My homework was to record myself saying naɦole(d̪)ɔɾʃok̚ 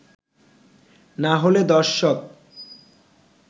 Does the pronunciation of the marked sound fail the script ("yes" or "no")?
no